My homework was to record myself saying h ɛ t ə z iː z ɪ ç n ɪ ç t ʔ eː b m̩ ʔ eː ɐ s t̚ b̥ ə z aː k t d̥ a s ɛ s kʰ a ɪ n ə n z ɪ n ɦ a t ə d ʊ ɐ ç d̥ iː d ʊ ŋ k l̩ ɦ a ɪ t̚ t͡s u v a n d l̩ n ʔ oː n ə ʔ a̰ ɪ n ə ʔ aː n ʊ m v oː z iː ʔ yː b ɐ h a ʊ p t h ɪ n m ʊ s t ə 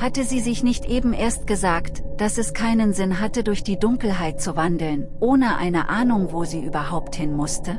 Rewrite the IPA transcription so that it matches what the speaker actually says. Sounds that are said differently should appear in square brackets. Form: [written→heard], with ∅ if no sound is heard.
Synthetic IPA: h [ɛ→a] t ə z iː z ɪ ç n ɪ ç t ʔ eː b m̩ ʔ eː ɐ s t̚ [b̥→ɡ̥] ə z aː k t d̥ a s ɛ s kʰ a ɪ n ə n z ɪ n ɦ a t ə d ʊ ɐ ç d̥ iː d ʊ ŋ k l̩ ɦ a ɪ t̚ t͡s u v a n d l̩ n ʔ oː n ə ʔ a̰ ɪ n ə ʔ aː n ʊ [m→ŋ] v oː z iː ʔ yː b ɐ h a ʊ p t h ɪ n m ʊ s t ə

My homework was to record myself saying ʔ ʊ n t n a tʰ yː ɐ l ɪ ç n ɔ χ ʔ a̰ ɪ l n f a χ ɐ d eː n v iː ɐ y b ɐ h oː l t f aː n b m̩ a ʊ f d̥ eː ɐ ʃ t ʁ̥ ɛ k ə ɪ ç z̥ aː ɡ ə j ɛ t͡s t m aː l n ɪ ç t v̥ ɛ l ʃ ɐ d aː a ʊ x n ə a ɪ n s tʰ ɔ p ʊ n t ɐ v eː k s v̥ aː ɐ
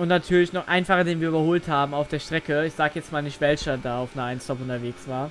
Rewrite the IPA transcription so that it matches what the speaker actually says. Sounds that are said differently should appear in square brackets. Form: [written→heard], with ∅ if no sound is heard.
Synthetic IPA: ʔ ʊ n t n a tʰ yː ɐ l ɪ ç n ɔ χ ʔ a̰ ɪ [l→∅] n f a χ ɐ d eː n v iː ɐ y b ɐ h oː l t [f→h] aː [n→∅] b m̩ a ʊ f d̥ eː ɐ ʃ t ʁ̥ ɛ k ə ɪ ç z̥ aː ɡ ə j ɛ t͡s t m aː l n ɪ ç t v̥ ɛ l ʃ ɐ d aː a ʊ [x→f] n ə a ɪ n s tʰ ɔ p ʊ n t ɐ v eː k s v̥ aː ɐ

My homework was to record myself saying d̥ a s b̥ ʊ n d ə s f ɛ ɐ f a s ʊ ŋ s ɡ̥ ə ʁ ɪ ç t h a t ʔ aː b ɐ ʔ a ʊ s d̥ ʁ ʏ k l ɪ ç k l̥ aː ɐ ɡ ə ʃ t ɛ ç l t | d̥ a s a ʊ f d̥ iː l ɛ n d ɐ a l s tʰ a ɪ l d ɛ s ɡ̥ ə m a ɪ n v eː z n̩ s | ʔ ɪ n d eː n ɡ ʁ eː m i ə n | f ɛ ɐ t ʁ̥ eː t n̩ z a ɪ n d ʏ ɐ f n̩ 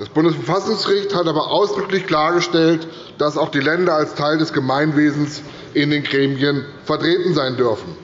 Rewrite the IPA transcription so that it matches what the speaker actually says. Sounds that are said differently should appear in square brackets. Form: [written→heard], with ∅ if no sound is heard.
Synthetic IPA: d̥ a s b̥ ʊ n d ə s f ɛ ɐ f a s ʊ ŋ s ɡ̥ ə ʁ ɪ ç t h a t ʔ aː b ɐ ʔ a ʊ s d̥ ʁ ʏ k l ɪ ç k l̥ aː ɐ ɡ ə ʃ t ɛ [ç→∅] l t | d̥ a s a ʊ [f→x] d̥ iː l ɛ n d ɐ a l s tʰ a ɪ l d ɛ s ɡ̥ ə m a ɪ n v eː z n̩ s | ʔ ɪ n d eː n ɡ ʁ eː m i ə n | f ɛ ɐ t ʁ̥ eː t n̩ z a ɪ n d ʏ ɐ f n̩

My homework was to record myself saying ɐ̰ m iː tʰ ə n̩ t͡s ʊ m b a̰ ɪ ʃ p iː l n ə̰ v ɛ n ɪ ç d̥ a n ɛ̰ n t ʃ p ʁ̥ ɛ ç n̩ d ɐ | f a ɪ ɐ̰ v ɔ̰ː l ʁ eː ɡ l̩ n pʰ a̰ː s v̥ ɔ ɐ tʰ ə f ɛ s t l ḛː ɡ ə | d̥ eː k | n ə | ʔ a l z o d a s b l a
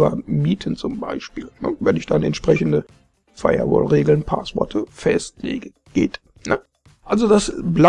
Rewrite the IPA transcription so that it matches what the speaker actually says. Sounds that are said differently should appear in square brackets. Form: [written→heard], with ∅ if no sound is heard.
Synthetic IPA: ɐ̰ m iː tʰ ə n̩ t͡s ʊ m b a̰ ɪ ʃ p iː l n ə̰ v ɛ n ɪ ç d̥ a n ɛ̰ n t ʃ p ʁ̥ ɛ ç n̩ d [ɐ→ə] | f a ɪ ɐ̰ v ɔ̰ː l ʁ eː ɡ l̩ n pʰ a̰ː s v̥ ɔ ɐ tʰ ə f ɛ s t l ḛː ɡ ə | [d̥→ɡ̥] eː [k→t] | n ə | ʔ a l z o d a s b l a

